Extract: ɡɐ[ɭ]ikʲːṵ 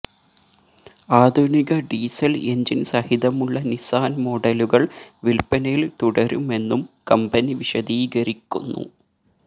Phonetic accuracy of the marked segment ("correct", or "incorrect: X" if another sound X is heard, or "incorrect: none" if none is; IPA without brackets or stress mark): incorrect: ɾ